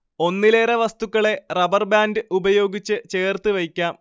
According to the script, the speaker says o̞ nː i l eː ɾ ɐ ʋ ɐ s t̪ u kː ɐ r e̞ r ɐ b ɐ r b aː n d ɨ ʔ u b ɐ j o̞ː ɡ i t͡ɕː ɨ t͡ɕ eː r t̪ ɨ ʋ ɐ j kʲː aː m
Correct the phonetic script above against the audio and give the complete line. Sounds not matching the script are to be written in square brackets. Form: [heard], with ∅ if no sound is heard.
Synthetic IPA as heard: o̞ nː i l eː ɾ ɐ ʋ ɐ s t̪ u kː ɐ [ɭ] e̞ r ɐ b ɐ r b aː n d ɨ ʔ u b ɐ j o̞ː ɡ i t͡ɕː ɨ t͡ɕ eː r t̪ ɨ ʋ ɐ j kʲː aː m